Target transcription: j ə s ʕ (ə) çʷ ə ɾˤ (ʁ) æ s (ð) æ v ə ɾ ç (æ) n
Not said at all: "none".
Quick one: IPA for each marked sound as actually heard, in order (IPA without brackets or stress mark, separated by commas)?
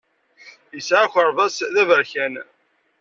a, v, ð, æ